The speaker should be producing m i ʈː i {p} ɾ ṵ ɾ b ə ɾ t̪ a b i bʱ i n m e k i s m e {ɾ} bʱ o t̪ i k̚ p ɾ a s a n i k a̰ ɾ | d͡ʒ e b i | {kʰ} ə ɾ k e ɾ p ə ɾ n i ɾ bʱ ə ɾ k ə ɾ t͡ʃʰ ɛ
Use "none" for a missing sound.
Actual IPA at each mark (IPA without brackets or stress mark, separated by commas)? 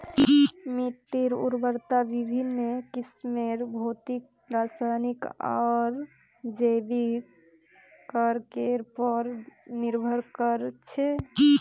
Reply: none, ɾ, k